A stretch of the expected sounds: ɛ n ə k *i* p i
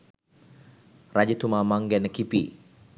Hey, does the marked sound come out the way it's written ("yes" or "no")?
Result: yes